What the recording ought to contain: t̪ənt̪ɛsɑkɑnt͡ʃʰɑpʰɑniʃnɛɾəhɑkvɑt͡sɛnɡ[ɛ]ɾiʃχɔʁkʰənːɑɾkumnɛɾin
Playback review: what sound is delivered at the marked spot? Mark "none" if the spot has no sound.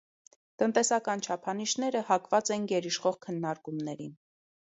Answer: ɛ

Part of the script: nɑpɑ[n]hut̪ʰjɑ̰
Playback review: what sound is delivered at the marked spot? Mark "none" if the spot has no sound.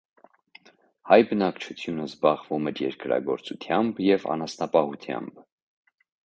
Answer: none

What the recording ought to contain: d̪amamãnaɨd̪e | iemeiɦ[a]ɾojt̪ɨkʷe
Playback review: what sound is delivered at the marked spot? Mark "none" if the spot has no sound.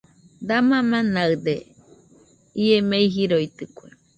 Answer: i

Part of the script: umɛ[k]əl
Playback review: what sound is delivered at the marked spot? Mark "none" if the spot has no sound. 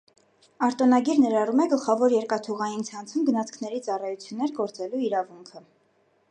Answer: ɡ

